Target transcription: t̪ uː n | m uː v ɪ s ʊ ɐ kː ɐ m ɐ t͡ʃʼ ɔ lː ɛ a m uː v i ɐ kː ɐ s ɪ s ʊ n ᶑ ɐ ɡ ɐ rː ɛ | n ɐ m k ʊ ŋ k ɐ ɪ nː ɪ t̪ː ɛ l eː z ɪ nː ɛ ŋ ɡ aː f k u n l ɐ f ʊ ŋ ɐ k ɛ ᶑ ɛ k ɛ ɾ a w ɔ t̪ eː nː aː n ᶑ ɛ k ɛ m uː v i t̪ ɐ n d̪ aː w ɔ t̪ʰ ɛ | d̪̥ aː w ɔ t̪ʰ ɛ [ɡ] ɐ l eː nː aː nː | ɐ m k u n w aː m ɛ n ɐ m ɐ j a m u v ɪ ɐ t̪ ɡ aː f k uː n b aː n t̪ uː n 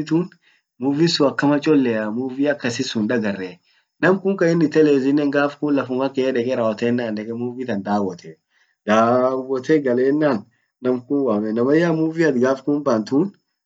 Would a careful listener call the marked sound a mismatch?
no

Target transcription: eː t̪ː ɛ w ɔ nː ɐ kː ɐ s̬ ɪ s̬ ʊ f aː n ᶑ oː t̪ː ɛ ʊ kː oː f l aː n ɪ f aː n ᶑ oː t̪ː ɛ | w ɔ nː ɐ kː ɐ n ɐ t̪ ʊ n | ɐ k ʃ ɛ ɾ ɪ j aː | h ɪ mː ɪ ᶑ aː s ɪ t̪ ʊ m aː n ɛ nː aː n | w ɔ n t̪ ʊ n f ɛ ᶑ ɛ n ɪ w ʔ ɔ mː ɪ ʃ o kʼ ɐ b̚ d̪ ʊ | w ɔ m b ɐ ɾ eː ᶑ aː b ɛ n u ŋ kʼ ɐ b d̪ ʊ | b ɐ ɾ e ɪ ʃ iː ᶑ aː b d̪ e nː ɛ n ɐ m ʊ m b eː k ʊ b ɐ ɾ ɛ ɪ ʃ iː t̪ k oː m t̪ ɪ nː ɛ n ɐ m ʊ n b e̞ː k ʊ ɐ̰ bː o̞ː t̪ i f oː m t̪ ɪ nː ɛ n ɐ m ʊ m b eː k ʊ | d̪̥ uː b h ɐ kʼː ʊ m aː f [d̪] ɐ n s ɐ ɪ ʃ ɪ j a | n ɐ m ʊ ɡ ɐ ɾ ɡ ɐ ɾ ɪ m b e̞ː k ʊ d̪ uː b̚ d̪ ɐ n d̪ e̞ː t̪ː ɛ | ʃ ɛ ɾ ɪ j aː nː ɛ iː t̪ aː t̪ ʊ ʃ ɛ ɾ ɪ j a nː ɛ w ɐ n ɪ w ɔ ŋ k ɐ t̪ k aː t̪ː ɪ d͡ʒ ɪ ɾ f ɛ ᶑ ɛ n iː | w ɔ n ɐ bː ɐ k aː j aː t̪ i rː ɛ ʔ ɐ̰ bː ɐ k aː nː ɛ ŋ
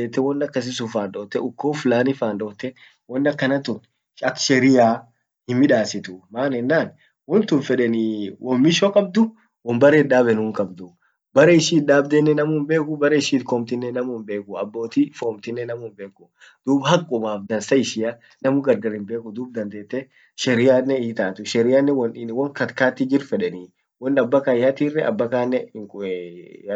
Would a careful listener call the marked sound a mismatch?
no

